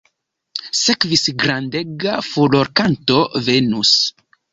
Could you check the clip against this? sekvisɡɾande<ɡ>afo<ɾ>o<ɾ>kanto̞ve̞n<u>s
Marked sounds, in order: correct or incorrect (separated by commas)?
correct, incorrect, correct, correct